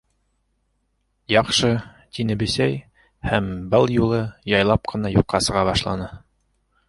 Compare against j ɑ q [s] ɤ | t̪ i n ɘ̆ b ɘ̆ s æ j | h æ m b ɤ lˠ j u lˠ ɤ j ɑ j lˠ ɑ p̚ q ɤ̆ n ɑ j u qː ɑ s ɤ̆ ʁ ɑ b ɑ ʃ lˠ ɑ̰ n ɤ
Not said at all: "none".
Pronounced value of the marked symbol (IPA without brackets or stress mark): ʃ